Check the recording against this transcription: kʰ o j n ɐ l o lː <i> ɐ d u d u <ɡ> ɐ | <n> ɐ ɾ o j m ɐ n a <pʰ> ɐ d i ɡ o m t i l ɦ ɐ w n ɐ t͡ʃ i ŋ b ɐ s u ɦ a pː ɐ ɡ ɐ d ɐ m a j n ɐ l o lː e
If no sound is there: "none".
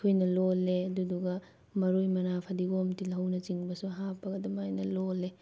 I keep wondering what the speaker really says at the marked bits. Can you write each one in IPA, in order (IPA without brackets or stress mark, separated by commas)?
e, ɡ, m, pʰ